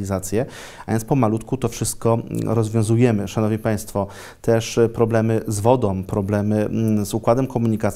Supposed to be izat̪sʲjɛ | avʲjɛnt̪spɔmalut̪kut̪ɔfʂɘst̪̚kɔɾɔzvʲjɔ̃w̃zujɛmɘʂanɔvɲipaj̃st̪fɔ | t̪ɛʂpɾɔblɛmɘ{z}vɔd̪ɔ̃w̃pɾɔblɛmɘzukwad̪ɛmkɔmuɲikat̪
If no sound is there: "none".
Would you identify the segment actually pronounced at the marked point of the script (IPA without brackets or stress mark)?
z